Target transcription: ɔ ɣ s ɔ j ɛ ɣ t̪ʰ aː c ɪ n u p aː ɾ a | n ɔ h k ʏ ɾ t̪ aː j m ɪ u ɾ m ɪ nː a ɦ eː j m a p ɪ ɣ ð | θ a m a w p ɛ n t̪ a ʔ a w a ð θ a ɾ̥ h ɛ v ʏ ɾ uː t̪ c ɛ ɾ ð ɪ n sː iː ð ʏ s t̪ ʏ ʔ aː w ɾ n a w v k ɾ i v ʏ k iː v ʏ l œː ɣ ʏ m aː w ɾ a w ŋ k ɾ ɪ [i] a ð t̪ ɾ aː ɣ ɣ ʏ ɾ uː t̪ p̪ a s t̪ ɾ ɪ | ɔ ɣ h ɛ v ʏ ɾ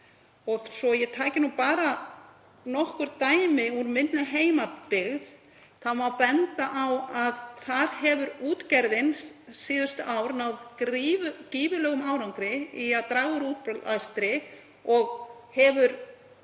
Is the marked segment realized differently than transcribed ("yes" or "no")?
no